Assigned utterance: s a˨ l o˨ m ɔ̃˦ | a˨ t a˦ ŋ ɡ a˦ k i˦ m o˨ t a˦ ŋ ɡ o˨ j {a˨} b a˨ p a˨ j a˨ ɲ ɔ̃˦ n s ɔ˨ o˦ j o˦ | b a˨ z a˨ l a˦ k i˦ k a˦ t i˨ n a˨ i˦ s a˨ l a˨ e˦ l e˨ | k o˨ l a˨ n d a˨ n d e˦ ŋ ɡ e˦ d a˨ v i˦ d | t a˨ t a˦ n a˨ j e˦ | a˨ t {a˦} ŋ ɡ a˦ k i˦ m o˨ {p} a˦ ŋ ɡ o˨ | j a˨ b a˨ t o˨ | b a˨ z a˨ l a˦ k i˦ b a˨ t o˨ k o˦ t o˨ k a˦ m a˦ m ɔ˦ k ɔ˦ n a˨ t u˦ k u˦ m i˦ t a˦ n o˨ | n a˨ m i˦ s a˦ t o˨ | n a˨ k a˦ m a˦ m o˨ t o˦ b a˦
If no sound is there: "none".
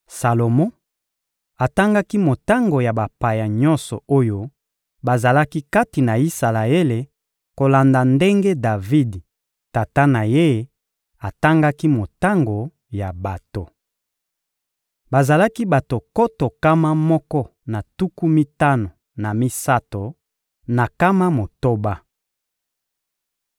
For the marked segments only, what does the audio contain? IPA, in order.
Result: a˨, a˦, t

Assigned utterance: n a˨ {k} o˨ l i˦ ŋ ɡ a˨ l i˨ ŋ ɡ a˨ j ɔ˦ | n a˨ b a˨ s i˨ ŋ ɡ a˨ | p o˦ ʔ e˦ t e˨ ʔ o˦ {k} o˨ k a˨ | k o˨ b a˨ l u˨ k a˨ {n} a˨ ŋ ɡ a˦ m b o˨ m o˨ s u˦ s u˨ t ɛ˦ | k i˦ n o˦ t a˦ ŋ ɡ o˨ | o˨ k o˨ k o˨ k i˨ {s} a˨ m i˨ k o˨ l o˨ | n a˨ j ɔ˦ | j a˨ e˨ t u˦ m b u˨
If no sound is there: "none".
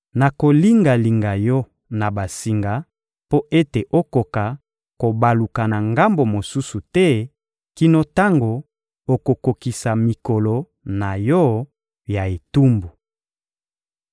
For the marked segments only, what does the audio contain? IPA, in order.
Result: k, k, n, s

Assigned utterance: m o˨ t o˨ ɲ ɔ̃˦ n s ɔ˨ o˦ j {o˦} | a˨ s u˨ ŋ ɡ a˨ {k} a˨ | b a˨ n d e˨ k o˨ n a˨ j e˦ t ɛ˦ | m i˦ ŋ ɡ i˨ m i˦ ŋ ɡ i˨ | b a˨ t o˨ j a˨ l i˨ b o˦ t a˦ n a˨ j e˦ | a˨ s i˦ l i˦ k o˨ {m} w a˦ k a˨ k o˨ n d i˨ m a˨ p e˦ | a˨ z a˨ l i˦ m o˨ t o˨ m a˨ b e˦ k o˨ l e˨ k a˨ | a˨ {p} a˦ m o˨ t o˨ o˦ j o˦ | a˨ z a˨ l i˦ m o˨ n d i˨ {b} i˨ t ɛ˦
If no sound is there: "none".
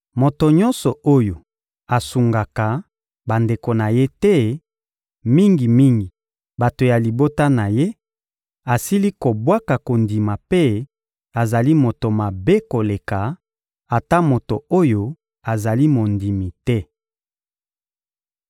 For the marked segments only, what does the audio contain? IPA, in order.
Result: o˨, k, b, t, m

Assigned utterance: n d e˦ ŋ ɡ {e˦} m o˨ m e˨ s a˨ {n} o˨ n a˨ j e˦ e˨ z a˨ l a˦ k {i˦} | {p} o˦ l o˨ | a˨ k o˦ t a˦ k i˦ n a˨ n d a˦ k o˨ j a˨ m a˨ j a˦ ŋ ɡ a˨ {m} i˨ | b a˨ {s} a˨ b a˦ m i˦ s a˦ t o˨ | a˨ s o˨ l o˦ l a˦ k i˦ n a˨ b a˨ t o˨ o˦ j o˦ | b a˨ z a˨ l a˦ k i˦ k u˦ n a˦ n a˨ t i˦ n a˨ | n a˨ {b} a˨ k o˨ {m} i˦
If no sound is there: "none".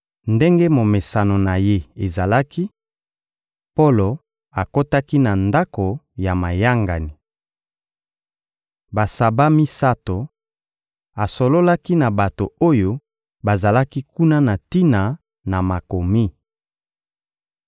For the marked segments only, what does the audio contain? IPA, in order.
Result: e˦, n, i˦, p, n, s, m, m

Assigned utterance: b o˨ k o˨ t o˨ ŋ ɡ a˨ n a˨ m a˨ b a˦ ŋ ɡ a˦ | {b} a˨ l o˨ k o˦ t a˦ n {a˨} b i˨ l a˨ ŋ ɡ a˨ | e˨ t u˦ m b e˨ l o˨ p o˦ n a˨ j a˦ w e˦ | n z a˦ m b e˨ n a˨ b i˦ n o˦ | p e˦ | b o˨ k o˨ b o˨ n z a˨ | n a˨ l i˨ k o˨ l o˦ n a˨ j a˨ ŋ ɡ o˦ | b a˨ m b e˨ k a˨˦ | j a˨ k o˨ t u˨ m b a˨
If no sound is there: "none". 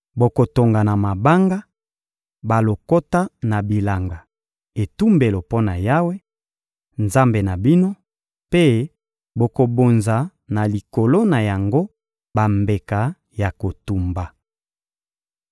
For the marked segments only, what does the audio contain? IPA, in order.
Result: b, a˨

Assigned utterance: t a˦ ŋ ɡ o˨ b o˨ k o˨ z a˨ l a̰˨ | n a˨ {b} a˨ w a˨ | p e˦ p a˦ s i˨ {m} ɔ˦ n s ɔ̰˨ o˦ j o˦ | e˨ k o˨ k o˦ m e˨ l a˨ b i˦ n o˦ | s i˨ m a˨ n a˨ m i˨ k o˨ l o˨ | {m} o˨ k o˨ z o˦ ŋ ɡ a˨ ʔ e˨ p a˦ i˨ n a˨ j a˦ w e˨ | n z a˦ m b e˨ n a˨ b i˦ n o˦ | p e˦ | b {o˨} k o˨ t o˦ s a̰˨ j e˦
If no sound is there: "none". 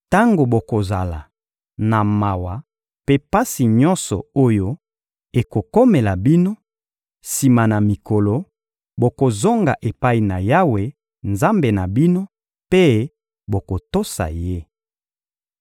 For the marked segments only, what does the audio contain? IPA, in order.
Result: m, ɲ, b, o˨

